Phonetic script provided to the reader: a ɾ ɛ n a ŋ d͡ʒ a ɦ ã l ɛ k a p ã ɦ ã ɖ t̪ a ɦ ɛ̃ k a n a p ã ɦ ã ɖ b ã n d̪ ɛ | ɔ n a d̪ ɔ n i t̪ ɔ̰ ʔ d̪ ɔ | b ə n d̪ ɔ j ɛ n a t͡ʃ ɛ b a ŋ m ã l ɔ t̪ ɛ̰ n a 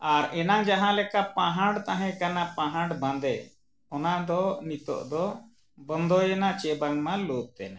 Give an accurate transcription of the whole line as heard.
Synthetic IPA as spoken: a ɾ ɛ n a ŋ d͡ʒ a ɦ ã l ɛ k a p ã ɦ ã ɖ t̪ a ɦ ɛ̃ k a n a p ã ɦ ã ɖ b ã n d̪ ɛ | ɔ n a d̪ ɔ n i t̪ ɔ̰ ʔ d̪ ɔ | b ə n d̪ ɔ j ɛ n a t͡ʃ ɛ b a ŋ m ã l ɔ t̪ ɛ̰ n a